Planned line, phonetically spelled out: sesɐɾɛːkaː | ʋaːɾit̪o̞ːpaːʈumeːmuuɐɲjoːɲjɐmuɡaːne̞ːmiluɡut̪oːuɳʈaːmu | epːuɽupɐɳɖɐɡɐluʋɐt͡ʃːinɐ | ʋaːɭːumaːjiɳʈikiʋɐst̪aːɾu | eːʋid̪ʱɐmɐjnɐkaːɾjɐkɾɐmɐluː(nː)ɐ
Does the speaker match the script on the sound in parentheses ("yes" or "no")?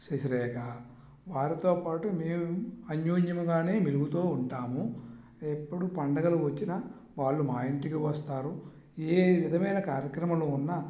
yes